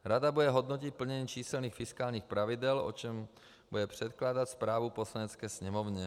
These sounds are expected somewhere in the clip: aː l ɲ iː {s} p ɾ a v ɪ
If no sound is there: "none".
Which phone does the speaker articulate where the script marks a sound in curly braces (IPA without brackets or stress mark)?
x